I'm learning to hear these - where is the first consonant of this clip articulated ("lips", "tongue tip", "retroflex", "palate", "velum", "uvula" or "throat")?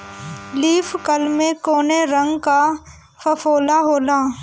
tongue tip